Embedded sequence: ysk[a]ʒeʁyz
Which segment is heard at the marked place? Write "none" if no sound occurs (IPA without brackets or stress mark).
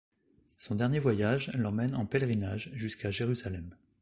a